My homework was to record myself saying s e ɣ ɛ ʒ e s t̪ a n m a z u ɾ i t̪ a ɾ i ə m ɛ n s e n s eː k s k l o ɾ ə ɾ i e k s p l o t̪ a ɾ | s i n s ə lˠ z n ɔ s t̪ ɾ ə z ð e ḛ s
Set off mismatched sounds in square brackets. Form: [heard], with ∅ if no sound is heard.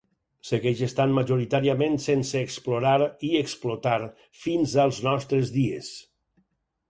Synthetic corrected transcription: s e ɣ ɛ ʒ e s t̪ a n m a [ʒ] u ɾ i t̪ a ɾ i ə m [e] n s e n s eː k s [p] l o ɾ [a] ɾ i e k s p l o t̪ a ɾ | [f] i n [z] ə lˠ z n ɔ s t̪ ɾ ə z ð [i] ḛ s